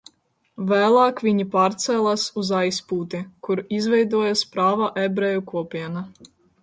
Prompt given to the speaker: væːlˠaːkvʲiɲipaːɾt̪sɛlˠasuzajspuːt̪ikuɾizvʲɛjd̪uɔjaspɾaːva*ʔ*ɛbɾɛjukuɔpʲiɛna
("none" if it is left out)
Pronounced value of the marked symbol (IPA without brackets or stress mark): ʔ